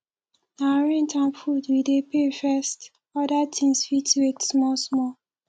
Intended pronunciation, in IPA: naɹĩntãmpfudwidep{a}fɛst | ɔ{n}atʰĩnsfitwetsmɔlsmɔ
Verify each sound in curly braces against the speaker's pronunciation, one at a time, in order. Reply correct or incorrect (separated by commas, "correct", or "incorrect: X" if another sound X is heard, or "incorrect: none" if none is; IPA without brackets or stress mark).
incorrect: e, incorrect: d